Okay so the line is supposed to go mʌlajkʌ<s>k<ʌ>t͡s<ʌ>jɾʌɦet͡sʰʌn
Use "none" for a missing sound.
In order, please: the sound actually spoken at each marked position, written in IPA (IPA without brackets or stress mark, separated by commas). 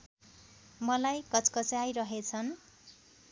t͡s, ʌ, a